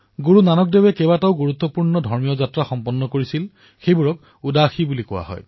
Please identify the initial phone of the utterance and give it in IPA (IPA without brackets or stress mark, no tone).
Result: ɡ